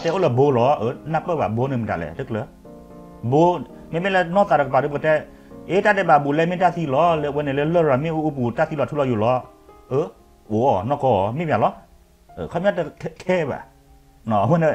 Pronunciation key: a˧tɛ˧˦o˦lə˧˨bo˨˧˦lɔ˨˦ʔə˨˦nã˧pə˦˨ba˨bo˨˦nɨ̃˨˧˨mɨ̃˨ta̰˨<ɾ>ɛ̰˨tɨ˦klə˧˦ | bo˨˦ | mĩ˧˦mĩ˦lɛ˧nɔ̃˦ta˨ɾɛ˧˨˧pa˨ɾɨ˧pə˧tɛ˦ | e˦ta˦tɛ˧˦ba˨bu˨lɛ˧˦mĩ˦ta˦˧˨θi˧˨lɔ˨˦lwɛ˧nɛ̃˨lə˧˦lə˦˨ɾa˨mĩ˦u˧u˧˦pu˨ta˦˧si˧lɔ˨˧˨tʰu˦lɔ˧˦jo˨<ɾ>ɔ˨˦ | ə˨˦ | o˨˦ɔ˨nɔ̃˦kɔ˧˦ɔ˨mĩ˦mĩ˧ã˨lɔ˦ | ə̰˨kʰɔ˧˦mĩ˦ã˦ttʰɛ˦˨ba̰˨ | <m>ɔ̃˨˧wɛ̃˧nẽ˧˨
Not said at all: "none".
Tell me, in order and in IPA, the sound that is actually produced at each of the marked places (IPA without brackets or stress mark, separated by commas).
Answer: l, l, n